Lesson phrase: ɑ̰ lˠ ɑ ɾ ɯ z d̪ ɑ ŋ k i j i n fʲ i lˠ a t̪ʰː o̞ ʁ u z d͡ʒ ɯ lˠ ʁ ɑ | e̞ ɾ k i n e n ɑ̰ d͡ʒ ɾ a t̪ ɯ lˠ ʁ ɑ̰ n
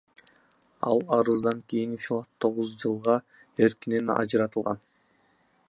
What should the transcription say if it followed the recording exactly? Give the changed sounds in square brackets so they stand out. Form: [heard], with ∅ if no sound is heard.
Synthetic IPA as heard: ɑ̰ lˠ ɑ ɾ ɯ z d̪ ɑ ŋ k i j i n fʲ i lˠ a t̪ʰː o̞ ʁ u z d͡ʒ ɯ lˠ ʁ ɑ | e̞ ɾ k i n e n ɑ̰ d͡ʒ ɾ [ɑ] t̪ ɯ lˠ ʁ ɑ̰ n